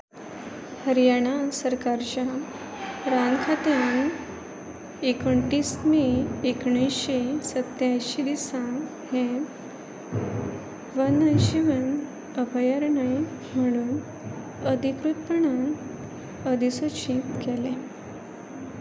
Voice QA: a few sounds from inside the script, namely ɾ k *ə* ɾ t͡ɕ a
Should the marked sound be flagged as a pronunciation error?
yes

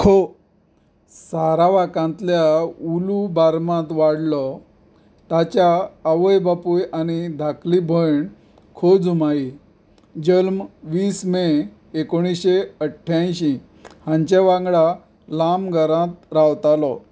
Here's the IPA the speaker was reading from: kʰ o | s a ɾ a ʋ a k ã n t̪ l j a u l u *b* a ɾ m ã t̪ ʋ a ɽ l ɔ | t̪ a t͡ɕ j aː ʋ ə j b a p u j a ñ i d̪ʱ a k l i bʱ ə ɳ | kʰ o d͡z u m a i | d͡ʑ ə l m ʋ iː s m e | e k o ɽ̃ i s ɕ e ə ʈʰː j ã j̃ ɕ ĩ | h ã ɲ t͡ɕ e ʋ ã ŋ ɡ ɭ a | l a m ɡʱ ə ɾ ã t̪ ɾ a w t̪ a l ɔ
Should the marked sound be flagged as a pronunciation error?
no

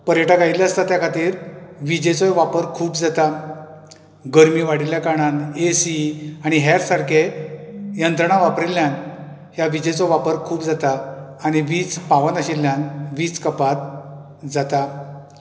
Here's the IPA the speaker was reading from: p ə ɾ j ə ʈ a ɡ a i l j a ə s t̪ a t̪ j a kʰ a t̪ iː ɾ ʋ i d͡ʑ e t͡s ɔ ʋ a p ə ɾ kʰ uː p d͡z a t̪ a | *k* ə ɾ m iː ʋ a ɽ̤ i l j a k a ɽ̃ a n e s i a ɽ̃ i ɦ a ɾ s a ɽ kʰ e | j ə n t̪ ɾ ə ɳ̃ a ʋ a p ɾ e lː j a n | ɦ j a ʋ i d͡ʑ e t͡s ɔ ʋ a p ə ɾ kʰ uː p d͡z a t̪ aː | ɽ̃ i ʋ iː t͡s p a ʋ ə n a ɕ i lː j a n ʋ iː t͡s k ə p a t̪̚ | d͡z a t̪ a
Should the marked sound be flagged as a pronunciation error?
yes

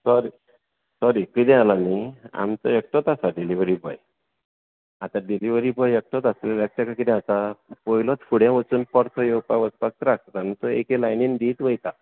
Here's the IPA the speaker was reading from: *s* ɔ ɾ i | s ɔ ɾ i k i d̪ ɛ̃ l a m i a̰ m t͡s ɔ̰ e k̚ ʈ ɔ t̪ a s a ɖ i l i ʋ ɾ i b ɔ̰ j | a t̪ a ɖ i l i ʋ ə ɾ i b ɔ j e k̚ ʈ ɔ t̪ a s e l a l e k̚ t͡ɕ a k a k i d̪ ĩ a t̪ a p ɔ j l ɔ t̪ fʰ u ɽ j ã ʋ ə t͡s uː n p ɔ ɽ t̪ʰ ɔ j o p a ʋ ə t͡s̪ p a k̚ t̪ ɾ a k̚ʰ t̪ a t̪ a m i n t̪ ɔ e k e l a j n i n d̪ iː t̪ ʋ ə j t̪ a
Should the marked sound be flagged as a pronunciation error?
no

